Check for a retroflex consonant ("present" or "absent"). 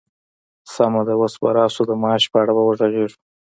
present